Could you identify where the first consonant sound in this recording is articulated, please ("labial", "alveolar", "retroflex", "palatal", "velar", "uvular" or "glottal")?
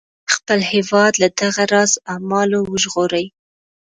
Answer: velar